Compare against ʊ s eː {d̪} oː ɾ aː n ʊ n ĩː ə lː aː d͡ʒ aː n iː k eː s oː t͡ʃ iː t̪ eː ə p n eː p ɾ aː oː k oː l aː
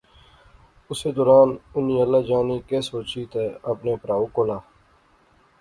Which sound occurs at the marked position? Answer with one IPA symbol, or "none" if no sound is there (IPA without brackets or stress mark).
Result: d̪